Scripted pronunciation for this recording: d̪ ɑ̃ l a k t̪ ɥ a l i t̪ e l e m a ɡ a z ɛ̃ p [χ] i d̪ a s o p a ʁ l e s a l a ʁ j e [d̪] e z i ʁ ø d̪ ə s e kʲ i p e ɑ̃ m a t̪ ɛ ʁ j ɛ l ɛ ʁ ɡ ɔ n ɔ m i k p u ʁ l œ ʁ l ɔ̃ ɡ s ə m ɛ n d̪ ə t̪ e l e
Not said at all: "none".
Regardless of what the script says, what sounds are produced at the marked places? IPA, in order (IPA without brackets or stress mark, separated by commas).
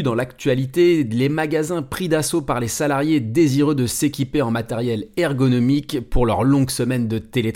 χ, d̪